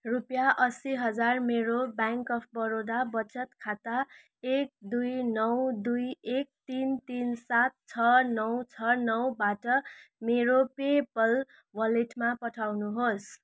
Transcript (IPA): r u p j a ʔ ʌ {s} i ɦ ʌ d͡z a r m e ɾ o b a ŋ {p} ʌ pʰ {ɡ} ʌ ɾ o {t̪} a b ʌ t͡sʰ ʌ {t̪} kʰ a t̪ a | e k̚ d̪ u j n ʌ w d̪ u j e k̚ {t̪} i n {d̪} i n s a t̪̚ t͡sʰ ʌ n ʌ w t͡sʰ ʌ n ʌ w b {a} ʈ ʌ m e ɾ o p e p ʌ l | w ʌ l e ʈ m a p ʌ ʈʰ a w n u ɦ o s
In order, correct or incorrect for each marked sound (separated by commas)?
correct, incorrect, incorrect, incorrect, correct, correct, incorrect, correct